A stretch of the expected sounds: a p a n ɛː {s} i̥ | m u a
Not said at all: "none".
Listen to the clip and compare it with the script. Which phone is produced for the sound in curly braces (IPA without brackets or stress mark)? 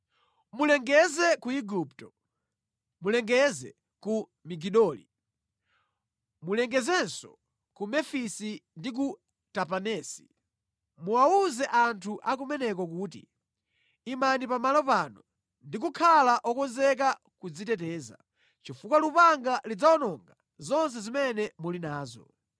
s